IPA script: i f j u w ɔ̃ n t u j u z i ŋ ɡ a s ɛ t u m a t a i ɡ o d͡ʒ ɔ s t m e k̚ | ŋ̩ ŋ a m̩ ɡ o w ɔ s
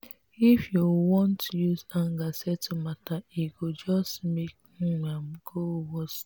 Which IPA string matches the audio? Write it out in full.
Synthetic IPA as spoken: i f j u w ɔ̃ n t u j u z a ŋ ɡ a s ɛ t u m a t a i ɡ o d͡ʒ ɔ s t m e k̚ | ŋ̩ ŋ a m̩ ɡ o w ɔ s